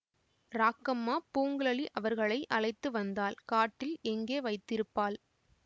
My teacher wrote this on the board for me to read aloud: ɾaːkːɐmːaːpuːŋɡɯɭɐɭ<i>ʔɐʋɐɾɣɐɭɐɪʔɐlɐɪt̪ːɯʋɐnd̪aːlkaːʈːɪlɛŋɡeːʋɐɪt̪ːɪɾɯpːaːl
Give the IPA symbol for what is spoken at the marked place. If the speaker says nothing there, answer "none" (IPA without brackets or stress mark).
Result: i